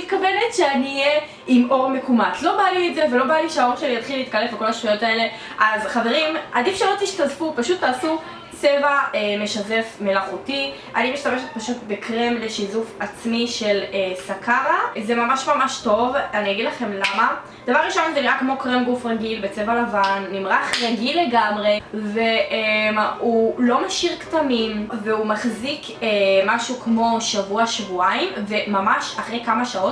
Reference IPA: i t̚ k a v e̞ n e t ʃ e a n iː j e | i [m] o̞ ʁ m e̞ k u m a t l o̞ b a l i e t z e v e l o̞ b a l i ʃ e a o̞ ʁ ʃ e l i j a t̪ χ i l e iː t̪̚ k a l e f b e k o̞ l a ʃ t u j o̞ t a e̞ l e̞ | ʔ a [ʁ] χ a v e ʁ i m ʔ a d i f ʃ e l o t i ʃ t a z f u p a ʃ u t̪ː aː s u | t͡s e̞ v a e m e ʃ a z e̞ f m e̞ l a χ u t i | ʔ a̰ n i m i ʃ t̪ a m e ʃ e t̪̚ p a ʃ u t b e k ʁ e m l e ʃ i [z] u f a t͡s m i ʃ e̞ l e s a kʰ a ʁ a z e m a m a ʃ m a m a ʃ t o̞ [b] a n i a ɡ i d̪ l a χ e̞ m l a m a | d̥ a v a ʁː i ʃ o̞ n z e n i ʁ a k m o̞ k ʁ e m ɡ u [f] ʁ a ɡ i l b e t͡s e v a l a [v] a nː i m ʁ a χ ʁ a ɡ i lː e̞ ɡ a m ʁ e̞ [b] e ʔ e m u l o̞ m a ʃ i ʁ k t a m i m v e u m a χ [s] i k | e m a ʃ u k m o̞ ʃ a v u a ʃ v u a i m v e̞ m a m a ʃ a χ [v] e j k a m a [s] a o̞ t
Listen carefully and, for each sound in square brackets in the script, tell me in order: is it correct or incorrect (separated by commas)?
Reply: correct, incorrect, correct, incorrect, correct, correct, incorrect, incorrect, incorrect, incorrect